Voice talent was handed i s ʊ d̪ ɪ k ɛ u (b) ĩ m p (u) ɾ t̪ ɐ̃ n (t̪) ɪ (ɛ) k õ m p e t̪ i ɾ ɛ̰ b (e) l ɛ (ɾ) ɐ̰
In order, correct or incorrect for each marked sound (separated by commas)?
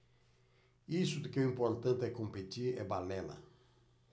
incorrect, incorrect, correct, correct, incorrect, incorrect